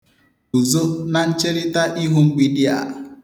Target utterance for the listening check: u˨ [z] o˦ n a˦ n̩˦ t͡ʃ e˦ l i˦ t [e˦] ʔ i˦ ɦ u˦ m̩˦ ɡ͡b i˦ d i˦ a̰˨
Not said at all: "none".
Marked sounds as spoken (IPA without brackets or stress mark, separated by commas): z, a˦